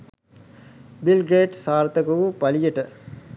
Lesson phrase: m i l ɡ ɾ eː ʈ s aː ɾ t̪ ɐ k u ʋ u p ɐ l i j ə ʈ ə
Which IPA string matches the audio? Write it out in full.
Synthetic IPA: b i l ɡ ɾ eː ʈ s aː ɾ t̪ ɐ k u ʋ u p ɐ l i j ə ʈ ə